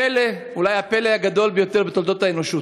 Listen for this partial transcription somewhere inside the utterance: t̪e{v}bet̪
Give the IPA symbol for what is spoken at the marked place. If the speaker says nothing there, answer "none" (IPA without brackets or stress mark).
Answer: ʁ